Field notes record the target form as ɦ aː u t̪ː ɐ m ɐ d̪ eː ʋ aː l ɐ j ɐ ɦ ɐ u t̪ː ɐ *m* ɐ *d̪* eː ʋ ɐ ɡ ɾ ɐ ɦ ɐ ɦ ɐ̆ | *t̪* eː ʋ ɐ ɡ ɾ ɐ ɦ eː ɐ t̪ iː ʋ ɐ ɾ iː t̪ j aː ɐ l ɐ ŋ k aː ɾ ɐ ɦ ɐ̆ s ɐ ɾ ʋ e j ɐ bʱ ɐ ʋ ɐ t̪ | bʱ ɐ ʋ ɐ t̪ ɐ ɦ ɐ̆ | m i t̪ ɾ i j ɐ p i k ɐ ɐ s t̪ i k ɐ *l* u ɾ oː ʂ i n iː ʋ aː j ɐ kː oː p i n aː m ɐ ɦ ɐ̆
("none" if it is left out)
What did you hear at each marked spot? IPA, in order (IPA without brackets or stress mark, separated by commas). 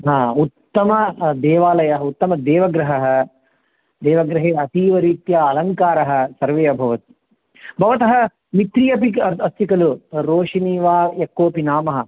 m, d̪, d̪, l